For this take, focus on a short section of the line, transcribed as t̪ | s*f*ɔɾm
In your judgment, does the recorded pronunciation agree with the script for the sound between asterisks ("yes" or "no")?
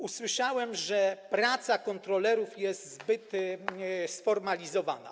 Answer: yes